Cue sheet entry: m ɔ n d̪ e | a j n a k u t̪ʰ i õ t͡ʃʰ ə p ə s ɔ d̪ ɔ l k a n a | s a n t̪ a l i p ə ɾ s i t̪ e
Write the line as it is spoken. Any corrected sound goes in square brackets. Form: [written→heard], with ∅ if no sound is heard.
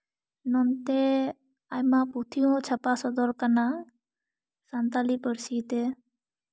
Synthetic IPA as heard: [m→n] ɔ n [d̪→t̪] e | a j [n→m] a [k→p] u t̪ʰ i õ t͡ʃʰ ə p [ə→a] s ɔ d̪ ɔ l k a n a | s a n t̪ a l i p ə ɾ s i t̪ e